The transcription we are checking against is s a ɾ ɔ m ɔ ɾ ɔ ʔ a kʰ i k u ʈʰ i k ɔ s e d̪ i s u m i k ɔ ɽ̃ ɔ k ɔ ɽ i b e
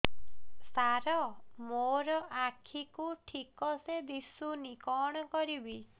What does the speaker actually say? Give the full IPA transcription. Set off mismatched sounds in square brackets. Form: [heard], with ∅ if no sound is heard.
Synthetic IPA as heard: s a ɾ ɔ m [o] ɾ ɔ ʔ a kʰ i k u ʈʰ i k ɔ s e d̪ i s u [n] i k ɔ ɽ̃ ɔ k ɔ [ɾ] i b [i]